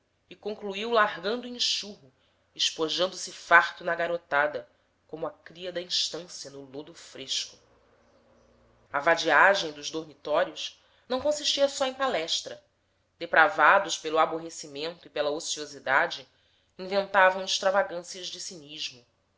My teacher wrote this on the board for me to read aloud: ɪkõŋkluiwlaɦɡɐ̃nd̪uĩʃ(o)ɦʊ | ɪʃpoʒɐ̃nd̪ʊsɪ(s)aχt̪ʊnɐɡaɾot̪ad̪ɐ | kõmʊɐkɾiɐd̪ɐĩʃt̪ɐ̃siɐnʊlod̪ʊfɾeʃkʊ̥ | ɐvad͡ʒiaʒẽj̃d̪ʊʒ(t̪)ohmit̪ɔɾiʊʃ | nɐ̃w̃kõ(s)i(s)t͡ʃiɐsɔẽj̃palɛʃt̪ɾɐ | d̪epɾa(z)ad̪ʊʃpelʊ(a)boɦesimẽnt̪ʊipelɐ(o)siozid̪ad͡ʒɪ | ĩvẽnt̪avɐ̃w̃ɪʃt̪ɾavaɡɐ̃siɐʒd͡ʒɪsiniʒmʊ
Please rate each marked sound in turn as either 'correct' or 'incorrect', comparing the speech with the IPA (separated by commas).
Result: incorrect, incorrect, incorrect, correct, incorrect, incorrect, correct, correct